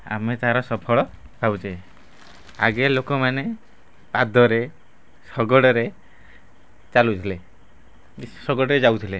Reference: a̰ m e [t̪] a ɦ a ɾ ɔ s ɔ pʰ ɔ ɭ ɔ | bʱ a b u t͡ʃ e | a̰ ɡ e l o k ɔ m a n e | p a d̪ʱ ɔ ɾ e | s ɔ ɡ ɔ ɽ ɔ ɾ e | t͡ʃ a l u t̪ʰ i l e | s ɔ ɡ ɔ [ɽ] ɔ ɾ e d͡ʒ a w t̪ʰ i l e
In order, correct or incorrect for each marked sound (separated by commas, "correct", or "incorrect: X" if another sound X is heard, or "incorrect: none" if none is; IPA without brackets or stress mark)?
correct, correct